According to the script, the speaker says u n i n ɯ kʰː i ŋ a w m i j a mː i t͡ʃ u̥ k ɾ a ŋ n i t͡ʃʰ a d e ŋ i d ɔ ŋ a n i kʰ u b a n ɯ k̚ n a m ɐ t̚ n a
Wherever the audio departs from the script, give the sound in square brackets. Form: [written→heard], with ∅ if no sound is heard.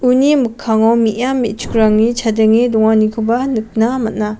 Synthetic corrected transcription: u n i [n→m] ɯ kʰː [i→a] ŋ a w m i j a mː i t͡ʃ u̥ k ɾ a ŋ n i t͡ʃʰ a d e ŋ i d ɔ ŋ a n i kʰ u b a n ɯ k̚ n a m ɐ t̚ n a